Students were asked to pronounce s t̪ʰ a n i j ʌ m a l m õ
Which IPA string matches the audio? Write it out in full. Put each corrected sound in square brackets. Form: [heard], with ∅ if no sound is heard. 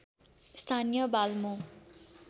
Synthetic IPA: s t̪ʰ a n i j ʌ [b] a l m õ